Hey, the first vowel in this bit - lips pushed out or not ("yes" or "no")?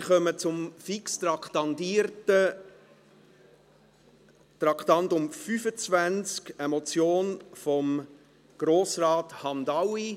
yes